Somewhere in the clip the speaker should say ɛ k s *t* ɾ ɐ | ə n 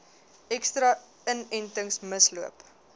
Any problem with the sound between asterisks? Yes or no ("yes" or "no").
no